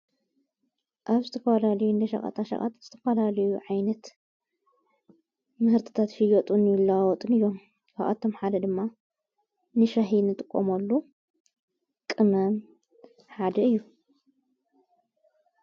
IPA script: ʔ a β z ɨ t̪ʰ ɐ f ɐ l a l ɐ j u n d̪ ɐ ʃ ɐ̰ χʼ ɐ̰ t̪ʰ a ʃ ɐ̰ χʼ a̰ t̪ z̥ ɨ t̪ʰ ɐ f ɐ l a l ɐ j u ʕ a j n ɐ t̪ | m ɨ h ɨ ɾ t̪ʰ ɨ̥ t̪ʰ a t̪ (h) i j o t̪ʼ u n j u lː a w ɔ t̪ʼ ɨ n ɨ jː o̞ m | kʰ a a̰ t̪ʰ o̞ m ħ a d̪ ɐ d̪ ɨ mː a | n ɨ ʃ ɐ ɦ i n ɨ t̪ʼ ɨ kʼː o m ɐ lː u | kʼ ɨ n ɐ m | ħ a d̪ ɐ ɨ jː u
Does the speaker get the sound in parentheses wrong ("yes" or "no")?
yes